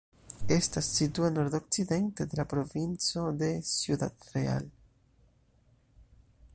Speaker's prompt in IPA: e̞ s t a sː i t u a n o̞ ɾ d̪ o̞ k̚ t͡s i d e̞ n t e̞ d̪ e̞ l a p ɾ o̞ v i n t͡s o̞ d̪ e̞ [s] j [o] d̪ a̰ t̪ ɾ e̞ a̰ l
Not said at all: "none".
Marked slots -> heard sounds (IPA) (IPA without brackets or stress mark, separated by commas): s, u